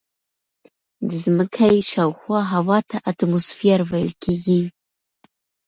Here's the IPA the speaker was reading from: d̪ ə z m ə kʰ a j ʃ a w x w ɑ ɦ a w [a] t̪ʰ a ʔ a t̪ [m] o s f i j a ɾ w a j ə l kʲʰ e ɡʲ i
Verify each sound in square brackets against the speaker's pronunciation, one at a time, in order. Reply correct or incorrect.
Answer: incorrect: ɑ, correct

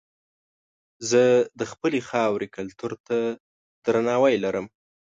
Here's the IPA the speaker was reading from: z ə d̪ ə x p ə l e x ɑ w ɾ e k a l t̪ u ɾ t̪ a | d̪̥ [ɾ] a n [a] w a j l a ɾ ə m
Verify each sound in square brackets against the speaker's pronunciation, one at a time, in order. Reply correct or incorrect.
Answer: correct, incorrect: ɑ

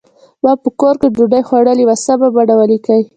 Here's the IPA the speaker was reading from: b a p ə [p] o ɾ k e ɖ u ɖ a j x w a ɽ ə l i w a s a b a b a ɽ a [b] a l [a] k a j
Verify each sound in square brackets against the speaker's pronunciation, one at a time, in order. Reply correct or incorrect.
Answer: incorrect: k, incorrect: w, incorrect: i

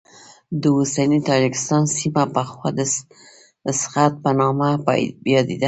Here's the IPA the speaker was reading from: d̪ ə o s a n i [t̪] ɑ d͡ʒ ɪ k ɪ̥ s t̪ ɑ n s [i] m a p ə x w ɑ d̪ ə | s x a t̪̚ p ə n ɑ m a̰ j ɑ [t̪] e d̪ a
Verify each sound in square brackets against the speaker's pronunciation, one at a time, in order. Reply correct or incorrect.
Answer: correct, correct, incorrect: d̪

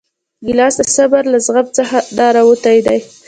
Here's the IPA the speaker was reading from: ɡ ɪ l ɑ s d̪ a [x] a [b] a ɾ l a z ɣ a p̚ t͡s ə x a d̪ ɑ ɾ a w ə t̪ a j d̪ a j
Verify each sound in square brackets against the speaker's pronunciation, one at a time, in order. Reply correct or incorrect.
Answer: incorrect: s, correct

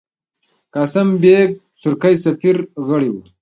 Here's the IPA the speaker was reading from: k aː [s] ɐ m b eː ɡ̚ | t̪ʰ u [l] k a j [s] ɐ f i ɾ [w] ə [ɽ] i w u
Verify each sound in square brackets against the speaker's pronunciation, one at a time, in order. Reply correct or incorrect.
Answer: correct, incorrect: ɾ, correct, incorrect: ɣ, correct

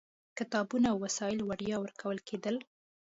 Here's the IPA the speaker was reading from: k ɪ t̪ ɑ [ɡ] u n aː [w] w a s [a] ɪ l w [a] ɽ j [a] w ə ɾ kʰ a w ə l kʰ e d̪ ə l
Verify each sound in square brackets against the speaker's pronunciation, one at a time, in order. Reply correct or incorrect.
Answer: incorrect: b, correct, incorrect: ɑ, correct, incorrect: ɑ

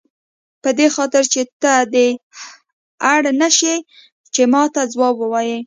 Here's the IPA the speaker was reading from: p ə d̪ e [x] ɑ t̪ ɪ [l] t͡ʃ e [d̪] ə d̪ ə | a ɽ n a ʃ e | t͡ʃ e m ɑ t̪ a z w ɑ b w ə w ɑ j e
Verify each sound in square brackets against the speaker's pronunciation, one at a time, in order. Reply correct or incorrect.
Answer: correct, incorrect: ɾ, incorrect: t̪

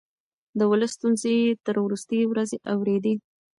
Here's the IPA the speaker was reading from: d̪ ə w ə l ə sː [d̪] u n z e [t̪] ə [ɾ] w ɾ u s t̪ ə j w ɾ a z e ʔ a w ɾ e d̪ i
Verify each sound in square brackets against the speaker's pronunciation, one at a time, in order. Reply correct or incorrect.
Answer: incorrect: t̪, correct, correct

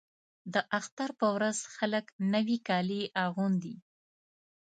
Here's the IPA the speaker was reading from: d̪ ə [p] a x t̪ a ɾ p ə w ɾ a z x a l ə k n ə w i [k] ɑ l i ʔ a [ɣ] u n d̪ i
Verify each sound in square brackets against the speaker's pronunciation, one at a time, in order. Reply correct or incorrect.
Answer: incorrect: ʔ, correct, correct

